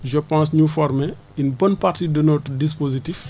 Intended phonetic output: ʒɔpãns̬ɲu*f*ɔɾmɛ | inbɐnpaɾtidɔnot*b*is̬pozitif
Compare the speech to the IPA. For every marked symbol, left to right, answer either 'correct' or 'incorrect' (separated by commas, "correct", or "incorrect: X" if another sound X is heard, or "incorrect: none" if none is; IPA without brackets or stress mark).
correct, incorrect: d